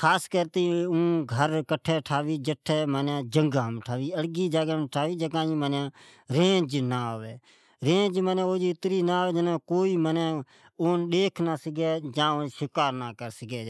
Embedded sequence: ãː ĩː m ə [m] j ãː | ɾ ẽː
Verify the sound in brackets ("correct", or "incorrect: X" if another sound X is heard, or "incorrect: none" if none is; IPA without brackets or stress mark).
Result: incorrect: n